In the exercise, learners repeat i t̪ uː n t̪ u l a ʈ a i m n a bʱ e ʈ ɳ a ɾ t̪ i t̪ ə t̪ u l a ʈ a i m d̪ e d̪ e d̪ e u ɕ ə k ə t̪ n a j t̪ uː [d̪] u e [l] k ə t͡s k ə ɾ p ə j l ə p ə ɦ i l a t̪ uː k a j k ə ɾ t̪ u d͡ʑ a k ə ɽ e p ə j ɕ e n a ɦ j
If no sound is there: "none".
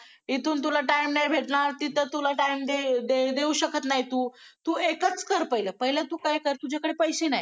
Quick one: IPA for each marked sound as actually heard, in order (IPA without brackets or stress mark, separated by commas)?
t̪, none